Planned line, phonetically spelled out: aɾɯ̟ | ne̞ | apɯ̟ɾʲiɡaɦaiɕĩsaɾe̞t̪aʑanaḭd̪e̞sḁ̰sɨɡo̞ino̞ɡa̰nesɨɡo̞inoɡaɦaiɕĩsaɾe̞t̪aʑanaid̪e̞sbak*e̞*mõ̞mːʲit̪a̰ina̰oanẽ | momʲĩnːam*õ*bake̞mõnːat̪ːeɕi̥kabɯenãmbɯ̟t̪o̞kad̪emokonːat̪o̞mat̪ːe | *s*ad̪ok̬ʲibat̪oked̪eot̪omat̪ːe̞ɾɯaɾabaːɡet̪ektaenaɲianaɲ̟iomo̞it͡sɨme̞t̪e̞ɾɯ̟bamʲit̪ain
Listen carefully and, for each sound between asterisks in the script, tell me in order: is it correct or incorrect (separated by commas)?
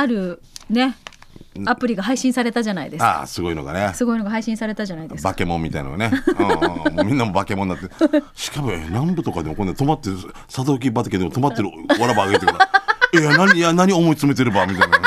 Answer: correct, incorrect, correct